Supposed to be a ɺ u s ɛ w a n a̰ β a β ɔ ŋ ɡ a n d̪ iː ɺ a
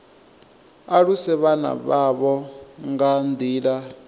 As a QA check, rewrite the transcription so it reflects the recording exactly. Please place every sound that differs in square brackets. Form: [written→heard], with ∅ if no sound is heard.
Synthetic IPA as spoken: a ɺ u s ɛ [w→β] a n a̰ β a β ɔ ŋ ɡ a n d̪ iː ɺ a